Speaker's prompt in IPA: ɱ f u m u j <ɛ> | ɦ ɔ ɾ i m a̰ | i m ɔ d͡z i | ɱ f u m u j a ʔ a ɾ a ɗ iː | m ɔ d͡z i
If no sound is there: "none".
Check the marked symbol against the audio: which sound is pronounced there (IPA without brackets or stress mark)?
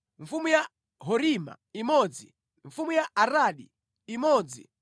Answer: a